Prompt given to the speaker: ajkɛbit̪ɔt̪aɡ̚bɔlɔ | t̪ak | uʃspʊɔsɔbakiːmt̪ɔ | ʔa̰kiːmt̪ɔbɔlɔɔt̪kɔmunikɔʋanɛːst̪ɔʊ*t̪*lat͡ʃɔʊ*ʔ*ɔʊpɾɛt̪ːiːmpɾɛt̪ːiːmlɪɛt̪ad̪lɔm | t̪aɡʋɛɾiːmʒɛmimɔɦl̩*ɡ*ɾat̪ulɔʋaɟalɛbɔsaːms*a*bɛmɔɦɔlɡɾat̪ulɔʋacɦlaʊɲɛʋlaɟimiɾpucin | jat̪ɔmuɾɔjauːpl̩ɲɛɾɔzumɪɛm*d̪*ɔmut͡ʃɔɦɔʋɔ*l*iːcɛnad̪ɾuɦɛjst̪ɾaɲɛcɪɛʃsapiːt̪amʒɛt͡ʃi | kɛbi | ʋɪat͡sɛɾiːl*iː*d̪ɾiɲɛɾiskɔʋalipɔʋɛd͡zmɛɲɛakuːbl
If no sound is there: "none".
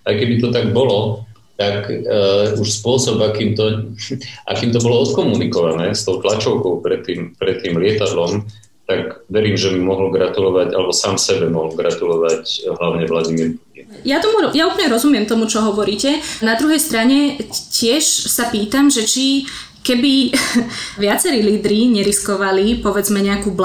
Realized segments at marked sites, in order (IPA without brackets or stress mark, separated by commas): t̪, k, ɡ, ɛ, t̪, ɾ, iː